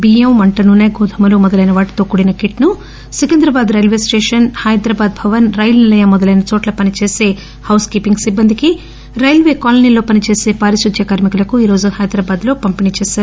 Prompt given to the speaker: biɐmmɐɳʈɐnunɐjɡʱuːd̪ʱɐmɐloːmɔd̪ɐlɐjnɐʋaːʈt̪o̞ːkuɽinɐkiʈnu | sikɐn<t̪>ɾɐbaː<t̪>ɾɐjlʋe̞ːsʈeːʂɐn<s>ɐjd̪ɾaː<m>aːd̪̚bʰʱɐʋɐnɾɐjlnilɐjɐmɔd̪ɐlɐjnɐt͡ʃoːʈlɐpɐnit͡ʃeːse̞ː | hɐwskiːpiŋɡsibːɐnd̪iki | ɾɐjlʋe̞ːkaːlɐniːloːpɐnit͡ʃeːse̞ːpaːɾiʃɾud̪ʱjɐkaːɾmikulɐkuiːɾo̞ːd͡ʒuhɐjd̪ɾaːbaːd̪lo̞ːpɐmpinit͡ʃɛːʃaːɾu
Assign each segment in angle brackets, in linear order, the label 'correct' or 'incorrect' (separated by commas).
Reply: incorrect, incorrect, incorrect, incorrect